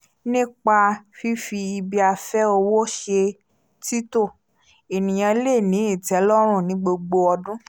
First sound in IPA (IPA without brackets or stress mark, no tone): n